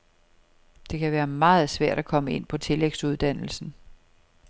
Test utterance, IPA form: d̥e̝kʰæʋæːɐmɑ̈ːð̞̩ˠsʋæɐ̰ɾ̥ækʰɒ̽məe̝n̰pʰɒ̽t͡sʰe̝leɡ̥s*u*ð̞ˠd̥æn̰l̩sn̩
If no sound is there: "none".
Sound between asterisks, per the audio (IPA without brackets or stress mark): u